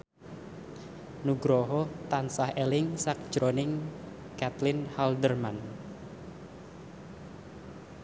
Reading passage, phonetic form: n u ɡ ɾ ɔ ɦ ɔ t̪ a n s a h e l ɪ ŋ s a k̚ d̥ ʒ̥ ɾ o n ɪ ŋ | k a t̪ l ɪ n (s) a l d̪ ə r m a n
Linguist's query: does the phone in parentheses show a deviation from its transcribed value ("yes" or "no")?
yes